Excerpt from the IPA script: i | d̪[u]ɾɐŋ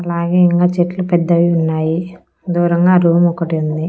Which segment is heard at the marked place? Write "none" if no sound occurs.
uː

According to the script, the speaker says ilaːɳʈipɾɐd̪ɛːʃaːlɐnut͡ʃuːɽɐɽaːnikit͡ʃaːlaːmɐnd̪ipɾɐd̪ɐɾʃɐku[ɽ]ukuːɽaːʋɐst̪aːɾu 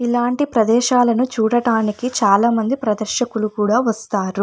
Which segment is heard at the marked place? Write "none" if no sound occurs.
l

